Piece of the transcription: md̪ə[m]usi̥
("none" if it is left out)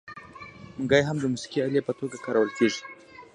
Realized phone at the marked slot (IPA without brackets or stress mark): m